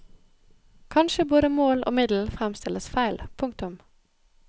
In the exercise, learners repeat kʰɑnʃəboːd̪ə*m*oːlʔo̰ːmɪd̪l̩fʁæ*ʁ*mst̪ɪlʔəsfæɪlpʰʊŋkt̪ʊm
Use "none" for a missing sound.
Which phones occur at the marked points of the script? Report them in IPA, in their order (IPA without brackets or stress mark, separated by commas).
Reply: m, none